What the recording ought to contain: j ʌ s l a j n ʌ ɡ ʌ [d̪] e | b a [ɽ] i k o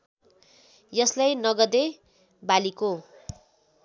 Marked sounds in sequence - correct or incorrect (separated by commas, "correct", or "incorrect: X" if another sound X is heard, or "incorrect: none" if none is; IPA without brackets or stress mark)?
correct, incorrect: l